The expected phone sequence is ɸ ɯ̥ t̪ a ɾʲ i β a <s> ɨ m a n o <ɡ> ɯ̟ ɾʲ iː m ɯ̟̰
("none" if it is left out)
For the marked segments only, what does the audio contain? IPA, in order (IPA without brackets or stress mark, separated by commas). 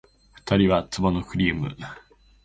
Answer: t͡s, k